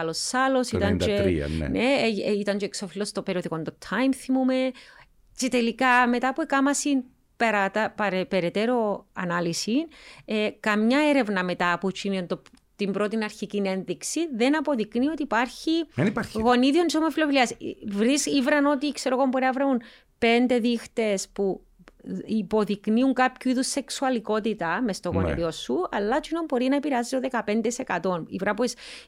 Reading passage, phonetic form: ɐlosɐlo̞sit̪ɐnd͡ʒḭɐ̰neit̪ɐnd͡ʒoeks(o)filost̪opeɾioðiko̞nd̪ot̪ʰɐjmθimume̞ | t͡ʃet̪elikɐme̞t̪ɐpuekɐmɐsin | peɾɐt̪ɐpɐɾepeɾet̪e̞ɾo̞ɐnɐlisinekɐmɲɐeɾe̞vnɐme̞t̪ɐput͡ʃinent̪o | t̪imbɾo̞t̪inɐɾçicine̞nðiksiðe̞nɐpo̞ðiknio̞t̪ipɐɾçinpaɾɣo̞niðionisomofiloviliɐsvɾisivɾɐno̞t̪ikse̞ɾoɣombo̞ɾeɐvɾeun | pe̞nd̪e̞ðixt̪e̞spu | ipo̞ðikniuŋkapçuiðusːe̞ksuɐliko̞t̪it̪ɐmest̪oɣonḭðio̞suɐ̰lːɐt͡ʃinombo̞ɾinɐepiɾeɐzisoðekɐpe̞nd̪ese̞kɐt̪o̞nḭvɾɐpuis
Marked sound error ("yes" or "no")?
no